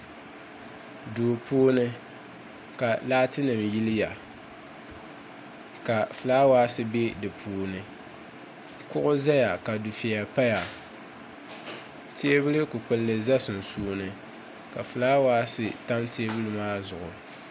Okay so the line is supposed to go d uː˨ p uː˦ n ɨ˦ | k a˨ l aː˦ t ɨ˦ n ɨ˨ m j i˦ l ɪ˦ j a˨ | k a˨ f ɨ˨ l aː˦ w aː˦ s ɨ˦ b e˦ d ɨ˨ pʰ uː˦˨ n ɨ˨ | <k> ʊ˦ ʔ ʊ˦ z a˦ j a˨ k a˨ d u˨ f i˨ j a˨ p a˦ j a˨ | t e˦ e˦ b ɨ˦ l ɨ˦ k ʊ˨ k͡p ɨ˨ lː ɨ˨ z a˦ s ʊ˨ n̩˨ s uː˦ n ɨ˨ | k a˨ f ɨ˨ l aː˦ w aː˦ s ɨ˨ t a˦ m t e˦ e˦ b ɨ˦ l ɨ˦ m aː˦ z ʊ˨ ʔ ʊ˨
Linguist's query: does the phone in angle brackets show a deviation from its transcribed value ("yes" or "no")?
no